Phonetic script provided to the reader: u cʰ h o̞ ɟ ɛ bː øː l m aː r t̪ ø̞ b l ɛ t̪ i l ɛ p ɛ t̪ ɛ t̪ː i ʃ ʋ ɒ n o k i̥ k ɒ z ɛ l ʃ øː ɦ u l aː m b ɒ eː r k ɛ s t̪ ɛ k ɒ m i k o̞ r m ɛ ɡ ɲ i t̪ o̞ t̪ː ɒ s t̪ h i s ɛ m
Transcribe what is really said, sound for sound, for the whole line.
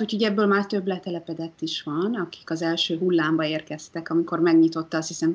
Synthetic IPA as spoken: u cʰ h o̞ ɟ ɛ bː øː l m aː r t̪ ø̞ b l ɛ t̪ ɛ l ɛ p ɛ d̪ ɛ t̪ː i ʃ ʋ ɒ n ɒ k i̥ k ɒ z ɛ l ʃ øː ɦ u lː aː m b ɒ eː r k ɛ s t̪ ɛ k ɒ m i k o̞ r m ɛ ɡ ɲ i t̪ o̞ t̪ː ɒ s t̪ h i s ɛ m